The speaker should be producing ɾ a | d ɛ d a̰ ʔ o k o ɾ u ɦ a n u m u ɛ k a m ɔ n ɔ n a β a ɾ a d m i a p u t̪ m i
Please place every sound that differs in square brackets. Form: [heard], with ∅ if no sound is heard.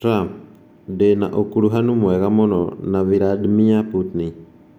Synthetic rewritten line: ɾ a | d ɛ [n] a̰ ʔ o k [u] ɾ u ɦ a n u m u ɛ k a m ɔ n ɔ n a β [i] ɾ a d m i a p u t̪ [n] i